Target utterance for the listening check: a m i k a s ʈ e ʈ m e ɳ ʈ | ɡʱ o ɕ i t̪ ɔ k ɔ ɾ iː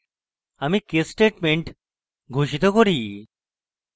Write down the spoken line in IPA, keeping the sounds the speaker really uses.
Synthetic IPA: a m i k e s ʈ e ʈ m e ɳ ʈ | ɡʱ o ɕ i t̪ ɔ k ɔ ɾ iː